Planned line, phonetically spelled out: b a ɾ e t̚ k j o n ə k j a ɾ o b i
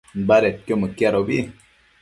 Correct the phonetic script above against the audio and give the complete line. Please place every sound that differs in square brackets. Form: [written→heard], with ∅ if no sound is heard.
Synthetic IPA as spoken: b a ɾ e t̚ k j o [n→m] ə k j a ɾ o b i